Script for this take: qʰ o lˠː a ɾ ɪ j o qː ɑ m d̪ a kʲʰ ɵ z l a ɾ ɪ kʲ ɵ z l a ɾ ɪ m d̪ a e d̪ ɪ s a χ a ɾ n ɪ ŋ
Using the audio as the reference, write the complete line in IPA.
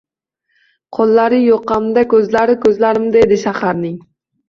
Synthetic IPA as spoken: qʰ o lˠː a ɾ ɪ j o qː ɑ m d̪ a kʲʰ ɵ z l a ɾ ɪ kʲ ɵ z l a ɾ ɪ m d̪ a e d̪ ɪ ʃ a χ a ɾ n ɪ ŋ